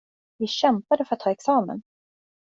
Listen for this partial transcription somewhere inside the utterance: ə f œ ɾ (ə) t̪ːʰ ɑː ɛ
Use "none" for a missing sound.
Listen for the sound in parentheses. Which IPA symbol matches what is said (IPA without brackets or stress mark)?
a